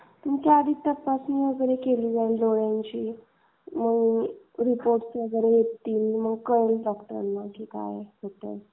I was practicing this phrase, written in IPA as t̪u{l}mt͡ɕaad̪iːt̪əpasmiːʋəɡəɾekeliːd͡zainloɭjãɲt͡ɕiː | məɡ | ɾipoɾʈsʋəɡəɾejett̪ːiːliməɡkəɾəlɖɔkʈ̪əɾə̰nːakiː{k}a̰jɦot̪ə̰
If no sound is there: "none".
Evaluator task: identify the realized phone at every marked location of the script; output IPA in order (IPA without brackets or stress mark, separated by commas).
none, k